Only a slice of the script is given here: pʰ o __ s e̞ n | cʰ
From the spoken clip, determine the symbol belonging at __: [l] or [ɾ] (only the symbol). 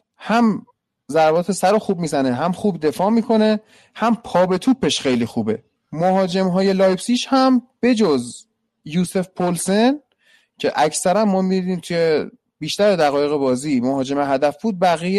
l